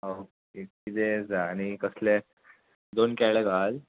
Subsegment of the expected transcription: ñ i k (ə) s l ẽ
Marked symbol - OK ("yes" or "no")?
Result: yes